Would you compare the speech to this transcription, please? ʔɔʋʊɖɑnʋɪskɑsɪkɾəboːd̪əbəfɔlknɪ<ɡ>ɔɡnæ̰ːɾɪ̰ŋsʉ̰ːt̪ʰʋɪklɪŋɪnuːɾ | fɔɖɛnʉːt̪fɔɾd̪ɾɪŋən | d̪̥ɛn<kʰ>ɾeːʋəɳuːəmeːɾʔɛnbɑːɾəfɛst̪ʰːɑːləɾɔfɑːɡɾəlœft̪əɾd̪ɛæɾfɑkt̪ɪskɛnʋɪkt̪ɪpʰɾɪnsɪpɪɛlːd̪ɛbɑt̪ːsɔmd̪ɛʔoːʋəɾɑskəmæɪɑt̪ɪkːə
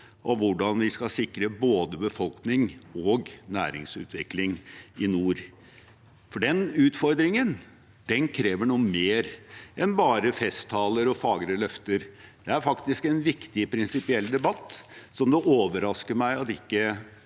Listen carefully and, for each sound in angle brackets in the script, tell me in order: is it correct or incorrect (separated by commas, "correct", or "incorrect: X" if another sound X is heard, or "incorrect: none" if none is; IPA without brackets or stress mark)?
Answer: incorrect: ŋ, correct